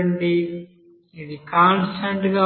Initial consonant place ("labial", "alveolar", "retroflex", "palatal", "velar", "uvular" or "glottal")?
retroflex